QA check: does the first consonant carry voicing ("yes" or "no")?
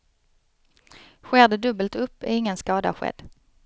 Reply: no